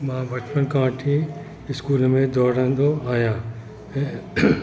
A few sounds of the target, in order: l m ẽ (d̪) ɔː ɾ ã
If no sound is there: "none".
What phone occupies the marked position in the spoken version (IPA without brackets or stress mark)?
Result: d̪